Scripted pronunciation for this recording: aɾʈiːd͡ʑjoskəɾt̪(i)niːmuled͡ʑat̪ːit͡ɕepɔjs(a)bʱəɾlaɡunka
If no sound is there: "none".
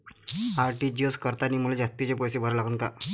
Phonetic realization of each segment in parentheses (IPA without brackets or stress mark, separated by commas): a, e